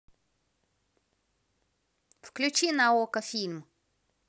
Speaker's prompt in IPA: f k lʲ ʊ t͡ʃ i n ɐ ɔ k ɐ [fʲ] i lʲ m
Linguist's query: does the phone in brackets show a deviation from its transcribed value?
no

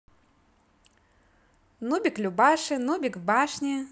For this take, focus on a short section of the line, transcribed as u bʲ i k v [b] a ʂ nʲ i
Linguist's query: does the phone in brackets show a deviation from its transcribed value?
no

